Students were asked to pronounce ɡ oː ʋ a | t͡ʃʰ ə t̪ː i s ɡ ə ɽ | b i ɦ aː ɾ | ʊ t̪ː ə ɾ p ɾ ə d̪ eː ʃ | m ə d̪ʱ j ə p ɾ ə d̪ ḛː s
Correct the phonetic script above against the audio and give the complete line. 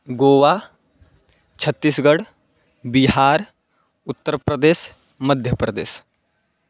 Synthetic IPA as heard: ɡ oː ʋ a | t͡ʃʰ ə t̪ː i s ɡ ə ɽ | b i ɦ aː ɾ | ʊ t̪ː ə ɾ p ɾ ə d̪ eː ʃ | m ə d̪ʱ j ə p ɾ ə d̪ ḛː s